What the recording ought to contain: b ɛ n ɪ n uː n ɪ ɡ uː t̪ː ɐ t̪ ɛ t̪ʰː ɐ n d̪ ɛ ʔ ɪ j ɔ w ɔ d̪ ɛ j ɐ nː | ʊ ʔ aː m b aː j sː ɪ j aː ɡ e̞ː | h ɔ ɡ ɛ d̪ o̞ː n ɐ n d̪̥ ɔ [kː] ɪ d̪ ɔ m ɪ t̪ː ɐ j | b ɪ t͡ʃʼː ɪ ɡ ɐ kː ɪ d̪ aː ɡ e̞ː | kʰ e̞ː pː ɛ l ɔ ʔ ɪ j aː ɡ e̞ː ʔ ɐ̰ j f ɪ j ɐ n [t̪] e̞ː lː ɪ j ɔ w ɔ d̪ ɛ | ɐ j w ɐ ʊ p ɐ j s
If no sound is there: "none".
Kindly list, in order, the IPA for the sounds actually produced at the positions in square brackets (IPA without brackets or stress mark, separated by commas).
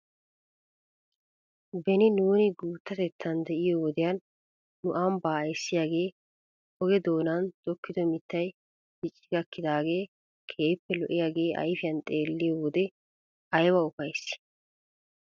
kː, t̪ʼ